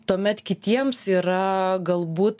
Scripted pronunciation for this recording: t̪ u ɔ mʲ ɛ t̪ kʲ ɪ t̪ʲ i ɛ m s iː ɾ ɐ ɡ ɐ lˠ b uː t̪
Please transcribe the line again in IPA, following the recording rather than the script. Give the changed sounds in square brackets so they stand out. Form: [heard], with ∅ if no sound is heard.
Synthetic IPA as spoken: t̪ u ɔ mʲ ɛ t̪ kʲ ɪ t̪ʲ i ɛ m s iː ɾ ɐ ɡ ɐ lˠ b uː t̪